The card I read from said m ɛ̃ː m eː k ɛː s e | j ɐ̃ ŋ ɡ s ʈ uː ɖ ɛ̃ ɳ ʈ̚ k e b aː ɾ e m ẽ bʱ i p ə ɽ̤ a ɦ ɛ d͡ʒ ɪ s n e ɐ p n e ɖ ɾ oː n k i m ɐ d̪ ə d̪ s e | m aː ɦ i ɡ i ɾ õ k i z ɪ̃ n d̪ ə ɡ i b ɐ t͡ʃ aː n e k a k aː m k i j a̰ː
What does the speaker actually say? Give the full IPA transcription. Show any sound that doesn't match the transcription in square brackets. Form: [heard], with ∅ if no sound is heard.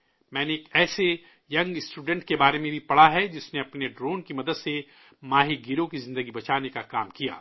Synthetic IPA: m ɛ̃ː [n] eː k ɛː s e | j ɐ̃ ŋ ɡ s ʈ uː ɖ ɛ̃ ɳ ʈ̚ k e b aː ɾ e m ẽ bʱ i p [ɐ] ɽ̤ a ɦ ɛ d͡ʒ ɪ s n e ɐ p n e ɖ ɾ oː n k i m ɐ d̪ ə d̪ s e | m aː ɦ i ɡ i ɾ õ k i z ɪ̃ n d̪ ə ɡ i b ɐ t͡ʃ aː n e k a k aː m k i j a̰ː